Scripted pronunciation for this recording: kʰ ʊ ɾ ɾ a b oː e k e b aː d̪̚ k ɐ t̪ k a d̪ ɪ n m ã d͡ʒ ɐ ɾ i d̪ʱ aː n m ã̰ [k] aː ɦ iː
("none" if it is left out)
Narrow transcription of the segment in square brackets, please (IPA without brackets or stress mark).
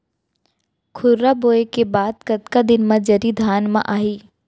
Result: ʔ